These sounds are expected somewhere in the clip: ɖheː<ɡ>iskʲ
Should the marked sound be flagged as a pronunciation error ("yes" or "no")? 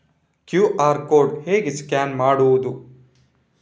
no